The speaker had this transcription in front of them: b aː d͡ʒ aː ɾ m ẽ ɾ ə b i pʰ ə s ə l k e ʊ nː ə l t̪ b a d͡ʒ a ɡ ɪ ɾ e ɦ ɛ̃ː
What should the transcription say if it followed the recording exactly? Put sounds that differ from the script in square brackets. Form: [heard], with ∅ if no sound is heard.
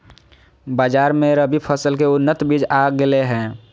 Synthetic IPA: b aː d͡ʒ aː ɾ m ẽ ɾ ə b i pʰ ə s ə l k e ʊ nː ə [∅] t̪ b [i] d͡ʒ a ɡ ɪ [l] e ɦ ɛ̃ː